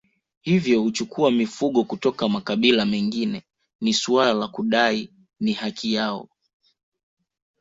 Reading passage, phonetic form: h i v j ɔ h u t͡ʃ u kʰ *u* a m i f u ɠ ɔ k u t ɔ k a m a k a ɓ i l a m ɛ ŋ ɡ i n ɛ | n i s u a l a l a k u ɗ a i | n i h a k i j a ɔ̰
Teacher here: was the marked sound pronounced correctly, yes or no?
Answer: yes